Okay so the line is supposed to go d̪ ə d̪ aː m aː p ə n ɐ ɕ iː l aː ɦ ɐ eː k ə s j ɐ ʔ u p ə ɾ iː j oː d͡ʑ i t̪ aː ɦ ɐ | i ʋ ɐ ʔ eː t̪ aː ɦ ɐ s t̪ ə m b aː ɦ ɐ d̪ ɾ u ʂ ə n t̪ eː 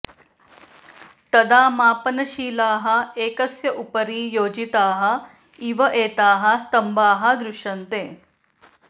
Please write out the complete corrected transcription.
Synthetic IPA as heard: t̪ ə d̪ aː m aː p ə n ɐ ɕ iː l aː ɦ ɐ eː k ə s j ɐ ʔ u p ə ɾ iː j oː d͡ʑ i t̪ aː ɦ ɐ | i ʋ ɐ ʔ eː t̪ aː ɦ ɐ s t̪ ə m b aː ɦ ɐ d̪ ɾ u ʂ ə n t̪ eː